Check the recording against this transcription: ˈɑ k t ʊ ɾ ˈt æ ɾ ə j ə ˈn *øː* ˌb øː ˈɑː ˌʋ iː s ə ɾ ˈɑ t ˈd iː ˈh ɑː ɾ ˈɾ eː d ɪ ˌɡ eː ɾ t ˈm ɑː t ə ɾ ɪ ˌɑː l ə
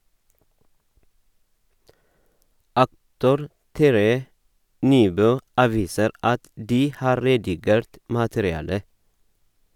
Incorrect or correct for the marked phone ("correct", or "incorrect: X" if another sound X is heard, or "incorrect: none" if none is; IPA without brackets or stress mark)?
incorrect: yː